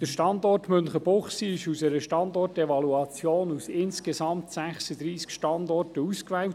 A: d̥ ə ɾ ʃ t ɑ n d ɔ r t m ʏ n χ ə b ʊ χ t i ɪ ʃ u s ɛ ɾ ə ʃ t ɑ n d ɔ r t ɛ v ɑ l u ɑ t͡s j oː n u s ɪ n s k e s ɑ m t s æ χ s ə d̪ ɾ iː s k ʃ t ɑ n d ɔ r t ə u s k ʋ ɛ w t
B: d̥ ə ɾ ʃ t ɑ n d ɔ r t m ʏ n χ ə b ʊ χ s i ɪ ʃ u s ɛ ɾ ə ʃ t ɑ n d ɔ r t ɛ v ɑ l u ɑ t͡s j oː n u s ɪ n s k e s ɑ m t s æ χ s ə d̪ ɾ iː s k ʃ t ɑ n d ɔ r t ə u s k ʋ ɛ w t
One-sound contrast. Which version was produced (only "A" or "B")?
B